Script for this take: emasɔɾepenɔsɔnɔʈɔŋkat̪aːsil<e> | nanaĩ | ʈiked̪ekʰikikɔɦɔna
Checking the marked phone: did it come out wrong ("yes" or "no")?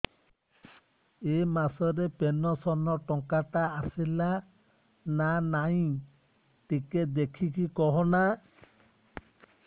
yes